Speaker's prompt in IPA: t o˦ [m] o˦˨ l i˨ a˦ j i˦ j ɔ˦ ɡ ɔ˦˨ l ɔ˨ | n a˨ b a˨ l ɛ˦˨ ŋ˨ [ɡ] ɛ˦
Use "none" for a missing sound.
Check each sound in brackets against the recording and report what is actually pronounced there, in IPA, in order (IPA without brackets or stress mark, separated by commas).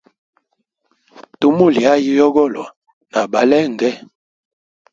m, ɡ